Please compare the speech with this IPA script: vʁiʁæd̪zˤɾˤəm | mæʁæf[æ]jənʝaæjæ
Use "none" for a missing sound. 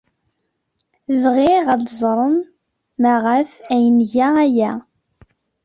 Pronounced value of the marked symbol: æ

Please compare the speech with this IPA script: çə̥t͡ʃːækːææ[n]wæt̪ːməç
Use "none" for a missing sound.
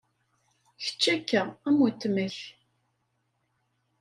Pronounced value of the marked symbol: m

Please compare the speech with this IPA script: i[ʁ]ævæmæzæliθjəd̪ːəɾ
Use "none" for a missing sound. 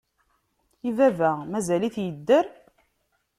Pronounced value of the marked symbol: v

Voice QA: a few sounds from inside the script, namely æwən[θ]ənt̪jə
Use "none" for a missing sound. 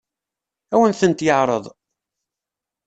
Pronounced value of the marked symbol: θ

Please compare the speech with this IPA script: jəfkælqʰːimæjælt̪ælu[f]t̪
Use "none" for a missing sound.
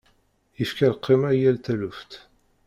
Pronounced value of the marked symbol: f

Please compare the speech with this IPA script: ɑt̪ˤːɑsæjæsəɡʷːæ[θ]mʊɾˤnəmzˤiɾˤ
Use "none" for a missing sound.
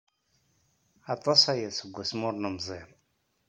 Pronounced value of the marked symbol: s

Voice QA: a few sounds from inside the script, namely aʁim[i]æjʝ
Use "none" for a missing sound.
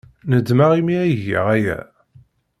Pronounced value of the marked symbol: i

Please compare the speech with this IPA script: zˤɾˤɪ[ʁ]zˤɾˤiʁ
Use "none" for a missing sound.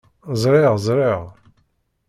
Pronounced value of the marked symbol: ʁ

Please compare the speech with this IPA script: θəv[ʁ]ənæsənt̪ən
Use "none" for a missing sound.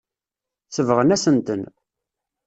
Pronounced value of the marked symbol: ʁ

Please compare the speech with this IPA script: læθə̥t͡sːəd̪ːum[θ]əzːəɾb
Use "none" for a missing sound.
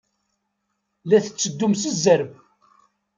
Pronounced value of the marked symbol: s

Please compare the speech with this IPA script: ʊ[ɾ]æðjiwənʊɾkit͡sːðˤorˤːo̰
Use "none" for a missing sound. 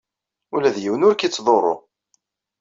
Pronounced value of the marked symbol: l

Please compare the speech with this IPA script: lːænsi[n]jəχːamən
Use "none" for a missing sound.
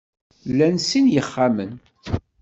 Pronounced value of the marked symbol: n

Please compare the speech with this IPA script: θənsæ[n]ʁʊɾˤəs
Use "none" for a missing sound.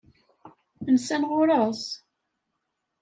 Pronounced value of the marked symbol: n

